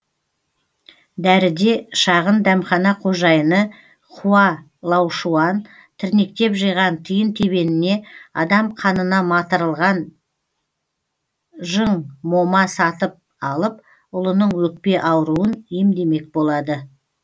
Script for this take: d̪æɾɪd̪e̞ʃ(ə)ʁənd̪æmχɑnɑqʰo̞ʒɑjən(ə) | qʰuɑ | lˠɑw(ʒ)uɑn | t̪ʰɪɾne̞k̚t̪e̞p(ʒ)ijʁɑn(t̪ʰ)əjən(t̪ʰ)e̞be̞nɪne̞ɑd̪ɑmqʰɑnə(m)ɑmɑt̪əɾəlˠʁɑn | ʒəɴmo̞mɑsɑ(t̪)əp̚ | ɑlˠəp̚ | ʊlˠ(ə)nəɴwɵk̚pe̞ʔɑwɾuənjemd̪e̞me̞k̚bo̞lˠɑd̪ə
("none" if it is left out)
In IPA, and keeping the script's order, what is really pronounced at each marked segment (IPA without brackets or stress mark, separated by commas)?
ɑ, ə, ʃ, ʒ, t̪ʰ, t̪ʰ, n, t̪, ə